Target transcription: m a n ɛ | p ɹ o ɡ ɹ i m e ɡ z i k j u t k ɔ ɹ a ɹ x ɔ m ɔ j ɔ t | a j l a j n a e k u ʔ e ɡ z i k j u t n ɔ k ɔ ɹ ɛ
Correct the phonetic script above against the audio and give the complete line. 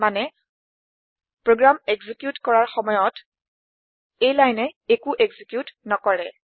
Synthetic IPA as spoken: m a n ɛ | p ɹ o ɡ ɹ a m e ɡ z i k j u t k ɔ ɹ a ɹ x ɔ m ɔ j ɔ t | e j l a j n ɛ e k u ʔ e ɡ z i k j u t n ɔ k ɔ ɹ ɛ